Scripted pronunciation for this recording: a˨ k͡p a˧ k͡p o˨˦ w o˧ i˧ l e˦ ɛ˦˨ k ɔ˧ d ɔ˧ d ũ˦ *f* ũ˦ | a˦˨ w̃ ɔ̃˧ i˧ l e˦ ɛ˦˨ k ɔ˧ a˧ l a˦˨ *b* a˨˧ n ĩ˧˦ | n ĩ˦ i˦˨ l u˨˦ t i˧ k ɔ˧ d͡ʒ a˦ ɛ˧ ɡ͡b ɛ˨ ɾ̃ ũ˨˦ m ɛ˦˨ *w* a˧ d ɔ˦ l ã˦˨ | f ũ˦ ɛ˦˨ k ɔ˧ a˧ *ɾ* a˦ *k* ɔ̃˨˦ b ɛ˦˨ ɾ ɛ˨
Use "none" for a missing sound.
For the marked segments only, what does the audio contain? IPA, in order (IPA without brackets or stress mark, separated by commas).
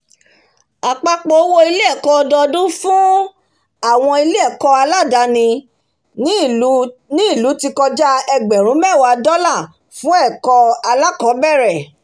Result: f, d, w, l, k